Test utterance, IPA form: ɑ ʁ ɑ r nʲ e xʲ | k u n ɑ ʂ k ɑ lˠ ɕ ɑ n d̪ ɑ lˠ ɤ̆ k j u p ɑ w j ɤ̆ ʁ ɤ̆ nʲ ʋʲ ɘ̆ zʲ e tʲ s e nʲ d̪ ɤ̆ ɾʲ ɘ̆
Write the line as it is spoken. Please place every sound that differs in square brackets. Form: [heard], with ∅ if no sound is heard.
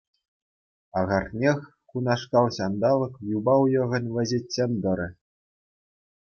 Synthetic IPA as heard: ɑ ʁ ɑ r nʲ e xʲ | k u n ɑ ʂ k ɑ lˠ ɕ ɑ n d̪ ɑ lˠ ɤ̆ k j u [b] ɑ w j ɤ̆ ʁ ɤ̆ nʲ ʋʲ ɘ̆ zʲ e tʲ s e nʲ d̪ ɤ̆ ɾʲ ɘ̆